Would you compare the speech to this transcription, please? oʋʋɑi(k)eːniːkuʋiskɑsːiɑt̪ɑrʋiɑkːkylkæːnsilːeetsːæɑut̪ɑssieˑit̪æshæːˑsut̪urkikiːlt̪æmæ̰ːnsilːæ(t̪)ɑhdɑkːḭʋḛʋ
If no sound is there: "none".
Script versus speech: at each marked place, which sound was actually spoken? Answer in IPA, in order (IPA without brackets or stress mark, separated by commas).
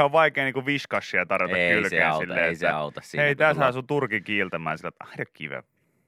k, t̪